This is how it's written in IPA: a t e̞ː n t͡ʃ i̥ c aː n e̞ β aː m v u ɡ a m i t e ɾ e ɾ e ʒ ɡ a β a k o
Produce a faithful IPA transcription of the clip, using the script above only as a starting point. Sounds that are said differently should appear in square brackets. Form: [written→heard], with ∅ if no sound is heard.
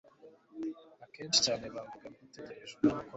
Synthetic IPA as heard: a [t→k] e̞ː n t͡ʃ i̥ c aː n e̞ β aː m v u ɡ a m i t e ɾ e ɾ e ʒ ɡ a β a k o